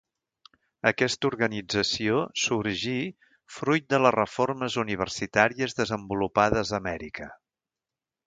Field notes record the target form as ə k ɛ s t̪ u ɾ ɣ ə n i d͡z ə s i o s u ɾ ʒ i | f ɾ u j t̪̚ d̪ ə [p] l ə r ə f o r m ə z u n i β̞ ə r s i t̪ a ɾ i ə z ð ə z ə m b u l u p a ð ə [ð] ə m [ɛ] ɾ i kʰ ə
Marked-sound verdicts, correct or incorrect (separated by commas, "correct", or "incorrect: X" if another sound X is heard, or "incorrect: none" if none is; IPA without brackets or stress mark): incorrect: none, incorrect: z, correct